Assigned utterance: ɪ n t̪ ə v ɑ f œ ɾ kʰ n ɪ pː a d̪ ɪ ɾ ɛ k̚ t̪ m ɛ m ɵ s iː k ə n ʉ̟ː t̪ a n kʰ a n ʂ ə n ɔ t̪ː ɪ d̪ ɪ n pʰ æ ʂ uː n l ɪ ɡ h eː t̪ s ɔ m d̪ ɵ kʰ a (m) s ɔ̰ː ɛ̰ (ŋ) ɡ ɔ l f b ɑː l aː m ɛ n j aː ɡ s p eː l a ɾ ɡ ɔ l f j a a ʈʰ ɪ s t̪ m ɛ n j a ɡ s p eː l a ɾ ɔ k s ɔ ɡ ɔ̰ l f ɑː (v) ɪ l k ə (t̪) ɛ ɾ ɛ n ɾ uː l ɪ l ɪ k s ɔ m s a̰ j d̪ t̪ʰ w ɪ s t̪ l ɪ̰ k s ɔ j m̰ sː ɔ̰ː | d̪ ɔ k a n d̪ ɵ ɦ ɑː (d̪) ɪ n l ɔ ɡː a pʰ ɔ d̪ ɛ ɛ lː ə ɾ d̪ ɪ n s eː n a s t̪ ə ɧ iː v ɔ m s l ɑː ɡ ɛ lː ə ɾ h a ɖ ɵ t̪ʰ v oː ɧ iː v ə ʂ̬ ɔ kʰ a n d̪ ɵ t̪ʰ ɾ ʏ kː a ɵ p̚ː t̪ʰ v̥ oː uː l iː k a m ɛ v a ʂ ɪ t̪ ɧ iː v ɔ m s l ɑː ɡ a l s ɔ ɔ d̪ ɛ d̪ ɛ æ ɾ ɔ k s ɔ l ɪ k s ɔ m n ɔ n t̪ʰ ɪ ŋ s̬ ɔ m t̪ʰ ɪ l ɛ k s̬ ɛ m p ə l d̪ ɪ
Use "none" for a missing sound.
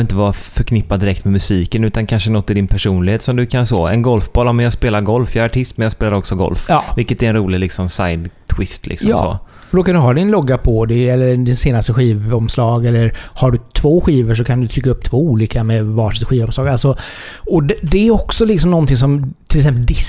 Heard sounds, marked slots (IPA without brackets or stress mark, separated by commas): n, n, v, t̪, d̪